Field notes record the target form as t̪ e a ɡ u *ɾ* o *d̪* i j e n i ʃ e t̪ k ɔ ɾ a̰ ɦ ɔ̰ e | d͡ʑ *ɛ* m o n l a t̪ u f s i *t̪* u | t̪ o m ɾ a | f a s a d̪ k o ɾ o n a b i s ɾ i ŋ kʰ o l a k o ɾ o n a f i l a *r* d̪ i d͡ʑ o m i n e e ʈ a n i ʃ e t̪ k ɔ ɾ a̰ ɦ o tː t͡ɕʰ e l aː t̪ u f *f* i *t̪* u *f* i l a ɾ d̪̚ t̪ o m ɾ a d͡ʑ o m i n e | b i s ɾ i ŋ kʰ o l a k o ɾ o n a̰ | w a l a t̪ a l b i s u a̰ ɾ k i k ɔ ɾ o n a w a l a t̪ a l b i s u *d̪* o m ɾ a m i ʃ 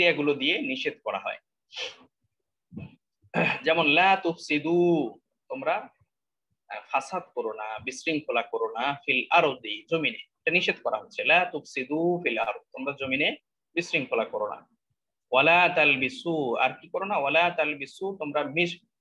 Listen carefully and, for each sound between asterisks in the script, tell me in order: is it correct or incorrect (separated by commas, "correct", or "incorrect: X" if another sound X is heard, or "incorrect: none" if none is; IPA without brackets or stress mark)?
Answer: incorrect: l, correct, correct, incorrect: d̪, incorrect: ɾ, incorrect: s, incorrect: d̪, correct, incorrect: t̪